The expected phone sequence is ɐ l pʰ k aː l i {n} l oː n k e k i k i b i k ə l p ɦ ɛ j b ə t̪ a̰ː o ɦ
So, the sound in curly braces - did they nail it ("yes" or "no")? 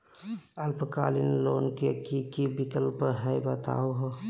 yes